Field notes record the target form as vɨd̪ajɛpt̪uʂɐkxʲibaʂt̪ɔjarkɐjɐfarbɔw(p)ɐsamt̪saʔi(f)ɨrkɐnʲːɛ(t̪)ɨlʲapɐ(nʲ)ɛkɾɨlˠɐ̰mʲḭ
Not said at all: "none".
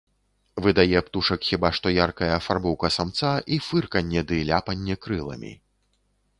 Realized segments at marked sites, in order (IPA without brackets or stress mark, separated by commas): k, f, d̪, nʲː